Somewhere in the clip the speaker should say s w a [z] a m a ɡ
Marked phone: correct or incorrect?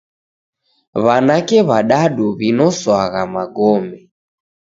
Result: incorrect